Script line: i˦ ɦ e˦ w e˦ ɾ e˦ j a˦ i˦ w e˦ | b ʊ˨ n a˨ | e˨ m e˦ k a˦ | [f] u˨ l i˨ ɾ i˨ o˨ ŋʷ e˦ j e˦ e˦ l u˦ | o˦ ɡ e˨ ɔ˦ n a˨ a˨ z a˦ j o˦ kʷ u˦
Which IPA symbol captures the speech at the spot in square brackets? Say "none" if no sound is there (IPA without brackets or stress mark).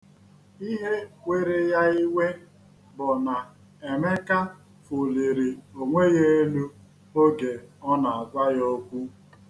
f